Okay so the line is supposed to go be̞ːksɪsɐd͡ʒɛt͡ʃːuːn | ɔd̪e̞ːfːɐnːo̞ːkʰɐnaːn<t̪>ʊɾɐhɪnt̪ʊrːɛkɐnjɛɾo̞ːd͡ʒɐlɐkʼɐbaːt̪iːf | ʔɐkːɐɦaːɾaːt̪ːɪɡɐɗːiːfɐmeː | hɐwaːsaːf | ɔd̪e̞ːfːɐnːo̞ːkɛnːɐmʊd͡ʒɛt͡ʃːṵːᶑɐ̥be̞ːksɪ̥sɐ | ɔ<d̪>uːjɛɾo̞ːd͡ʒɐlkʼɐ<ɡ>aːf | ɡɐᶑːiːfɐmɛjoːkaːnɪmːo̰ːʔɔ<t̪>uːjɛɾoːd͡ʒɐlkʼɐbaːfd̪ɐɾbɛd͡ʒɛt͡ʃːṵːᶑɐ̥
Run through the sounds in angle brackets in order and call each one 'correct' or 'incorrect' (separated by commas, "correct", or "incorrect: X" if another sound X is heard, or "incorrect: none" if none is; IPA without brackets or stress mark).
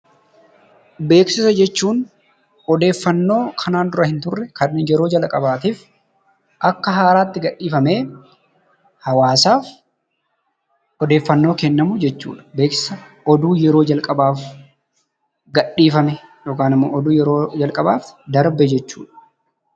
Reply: incorrect: d̪, correct, incorrect: b, incorrect: d̪